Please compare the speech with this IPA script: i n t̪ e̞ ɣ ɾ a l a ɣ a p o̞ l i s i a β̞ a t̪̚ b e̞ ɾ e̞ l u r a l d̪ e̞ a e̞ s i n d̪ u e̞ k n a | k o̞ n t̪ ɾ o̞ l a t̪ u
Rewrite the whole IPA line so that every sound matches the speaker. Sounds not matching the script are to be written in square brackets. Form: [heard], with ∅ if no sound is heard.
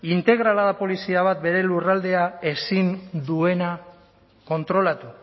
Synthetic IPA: i n t̪ e̞ ɣ ɾ a l a [ð] a p o̞ l i s i a β̞ a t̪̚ b e̞ ɾ e̞ l u r a l d̪ e̞ a e̞ s i n d̪ u e̞ [∅] n a | k o̞ n t̪ ɾ o̞ l a t̪ u